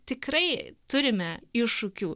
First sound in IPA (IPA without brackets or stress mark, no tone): t̪ʲ